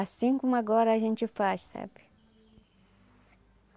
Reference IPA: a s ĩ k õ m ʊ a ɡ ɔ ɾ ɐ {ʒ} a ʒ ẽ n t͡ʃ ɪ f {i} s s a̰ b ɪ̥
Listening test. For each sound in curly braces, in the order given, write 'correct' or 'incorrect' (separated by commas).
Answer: incorrect, incorrect